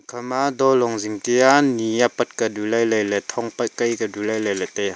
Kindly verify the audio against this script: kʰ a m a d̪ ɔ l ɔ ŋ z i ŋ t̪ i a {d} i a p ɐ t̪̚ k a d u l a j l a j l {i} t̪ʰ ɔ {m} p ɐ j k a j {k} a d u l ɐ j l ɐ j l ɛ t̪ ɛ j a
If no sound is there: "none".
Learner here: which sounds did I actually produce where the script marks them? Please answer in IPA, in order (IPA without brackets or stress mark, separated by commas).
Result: n, ɛ, ŋ, k